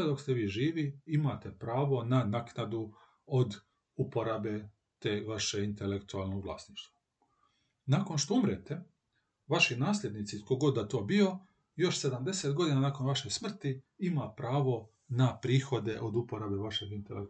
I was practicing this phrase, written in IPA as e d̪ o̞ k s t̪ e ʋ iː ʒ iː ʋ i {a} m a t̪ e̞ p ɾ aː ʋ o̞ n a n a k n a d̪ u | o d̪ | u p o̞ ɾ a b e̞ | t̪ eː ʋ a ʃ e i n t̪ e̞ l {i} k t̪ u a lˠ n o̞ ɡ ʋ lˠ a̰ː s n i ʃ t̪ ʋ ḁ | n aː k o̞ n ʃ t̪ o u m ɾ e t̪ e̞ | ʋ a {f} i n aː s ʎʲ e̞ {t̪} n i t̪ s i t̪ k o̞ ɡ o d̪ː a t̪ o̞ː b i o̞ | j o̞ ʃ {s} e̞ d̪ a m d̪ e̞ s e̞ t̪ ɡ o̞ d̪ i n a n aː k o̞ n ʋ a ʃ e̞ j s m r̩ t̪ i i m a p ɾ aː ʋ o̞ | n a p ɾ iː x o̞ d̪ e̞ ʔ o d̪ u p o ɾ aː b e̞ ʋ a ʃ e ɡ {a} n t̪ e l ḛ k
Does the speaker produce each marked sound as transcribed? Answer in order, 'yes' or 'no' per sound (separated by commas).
no, no, no, no, yes, no